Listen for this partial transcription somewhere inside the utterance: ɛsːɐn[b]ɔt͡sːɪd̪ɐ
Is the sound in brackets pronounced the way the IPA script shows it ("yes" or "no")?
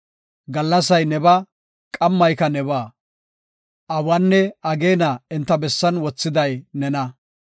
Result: no